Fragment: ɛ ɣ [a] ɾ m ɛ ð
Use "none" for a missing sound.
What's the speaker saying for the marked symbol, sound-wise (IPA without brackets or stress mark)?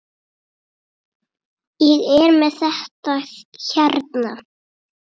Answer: ɛ